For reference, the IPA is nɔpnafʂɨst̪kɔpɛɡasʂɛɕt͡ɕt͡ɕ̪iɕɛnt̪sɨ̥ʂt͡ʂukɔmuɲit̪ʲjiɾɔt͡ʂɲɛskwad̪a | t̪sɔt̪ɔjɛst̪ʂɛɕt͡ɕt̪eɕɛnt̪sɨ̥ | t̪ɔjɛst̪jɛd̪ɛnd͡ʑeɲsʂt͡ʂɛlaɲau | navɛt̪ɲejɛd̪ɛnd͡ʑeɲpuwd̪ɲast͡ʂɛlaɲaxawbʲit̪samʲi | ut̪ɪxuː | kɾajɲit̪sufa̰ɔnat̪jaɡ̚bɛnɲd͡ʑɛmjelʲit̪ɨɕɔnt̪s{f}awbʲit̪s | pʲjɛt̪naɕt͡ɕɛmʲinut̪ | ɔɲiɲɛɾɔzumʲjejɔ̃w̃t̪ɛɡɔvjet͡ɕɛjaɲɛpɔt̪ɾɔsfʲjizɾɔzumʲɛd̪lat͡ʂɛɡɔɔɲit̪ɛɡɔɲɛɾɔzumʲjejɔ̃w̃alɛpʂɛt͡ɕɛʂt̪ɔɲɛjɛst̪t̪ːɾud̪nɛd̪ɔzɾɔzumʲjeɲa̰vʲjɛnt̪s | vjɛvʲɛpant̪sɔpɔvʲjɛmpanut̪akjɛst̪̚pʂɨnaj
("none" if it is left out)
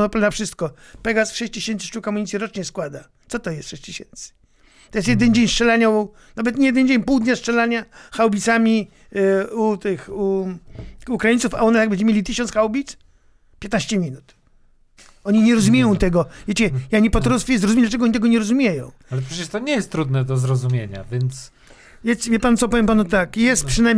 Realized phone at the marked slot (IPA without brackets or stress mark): x